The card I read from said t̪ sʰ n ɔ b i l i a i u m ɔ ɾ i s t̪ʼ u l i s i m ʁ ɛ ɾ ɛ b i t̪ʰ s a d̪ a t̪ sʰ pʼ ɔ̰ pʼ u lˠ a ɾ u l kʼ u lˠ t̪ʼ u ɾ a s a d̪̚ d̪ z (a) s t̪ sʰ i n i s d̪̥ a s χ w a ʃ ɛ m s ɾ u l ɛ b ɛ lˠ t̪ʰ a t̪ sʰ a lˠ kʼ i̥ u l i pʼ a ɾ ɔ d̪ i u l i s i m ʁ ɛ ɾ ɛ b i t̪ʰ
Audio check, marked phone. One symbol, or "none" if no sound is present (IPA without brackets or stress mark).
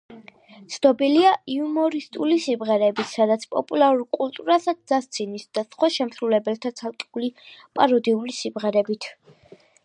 a